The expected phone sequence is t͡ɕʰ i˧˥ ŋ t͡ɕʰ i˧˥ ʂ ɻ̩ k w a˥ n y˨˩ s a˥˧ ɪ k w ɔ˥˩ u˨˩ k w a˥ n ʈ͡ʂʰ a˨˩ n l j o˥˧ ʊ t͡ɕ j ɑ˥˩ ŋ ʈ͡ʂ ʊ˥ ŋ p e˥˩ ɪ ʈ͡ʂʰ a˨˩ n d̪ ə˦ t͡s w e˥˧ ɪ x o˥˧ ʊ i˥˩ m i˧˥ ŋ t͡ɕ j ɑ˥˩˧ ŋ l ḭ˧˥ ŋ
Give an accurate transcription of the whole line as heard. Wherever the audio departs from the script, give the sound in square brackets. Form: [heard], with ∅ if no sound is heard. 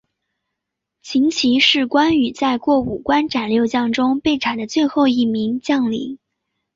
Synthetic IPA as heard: t͡ɕʰ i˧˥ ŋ t͡ɕʰ i˧˥ ʂ ɻ̩ k w a˥ n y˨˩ [t͡s] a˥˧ ɪ k w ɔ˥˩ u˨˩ k w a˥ n [ʈ͡ʂ] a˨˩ n l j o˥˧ ʊ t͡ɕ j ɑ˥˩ ŋ ʈ͡ʂ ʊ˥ ŋ p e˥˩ ɪ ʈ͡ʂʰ a˨˩ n d̪ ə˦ t͡s w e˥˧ ɪ x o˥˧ ʊ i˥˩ m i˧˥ ŋ t͡ɕ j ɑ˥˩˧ ŋ l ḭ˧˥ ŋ